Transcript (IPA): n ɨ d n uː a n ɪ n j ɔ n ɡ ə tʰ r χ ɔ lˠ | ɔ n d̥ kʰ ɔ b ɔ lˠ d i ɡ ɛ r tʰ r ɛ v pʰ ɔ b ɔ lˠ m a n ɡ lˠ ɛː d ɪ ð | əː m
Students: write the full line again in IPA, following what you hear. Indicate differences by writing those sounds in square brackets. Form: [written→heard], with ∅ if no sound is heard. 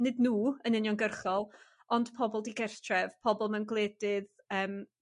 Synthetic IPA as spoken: n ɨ d n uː [a→ə] n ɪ n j ɔ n ɡ ə [tʰ→∅] r χ ɔ lˠ | ɔ n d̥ [kʰ→pʰ] ɔ b ɔ lˠ d i ɡ ɛ r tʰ r ɛ v pʰ ɔ b ɔ lˠ m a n ɡ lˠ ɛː d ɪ ð | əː m